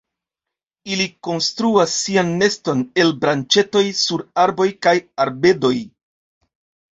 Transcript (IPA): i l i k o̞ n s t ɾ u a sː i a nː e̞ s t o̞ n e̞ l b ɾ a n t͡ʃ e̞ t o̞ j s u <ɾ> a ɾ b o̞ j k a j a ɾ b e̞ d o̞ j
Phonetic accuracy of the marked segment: correct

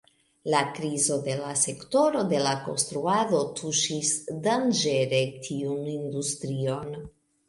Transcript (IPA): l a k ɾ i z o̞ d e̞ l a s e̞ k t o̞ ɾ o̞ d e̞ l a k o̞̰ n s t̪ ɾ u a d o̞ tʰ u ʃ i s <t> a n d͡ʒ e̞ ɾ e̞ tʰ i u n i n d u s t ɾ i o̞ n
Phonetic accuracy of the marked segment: incorrect: d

